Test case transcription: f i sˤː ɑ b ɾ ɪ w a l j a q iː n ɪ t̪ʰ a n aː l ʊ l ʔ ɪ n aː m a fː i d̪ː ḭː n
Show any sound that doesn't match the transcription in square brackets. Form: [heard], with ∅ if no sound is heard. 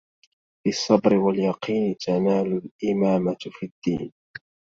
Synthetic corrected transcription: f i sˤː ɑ b ɾ ɪ w a l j [ɑ] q iː n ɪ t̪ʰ a n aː l ʊ l ʔ ɪ [m] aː m a [f] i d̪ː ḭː n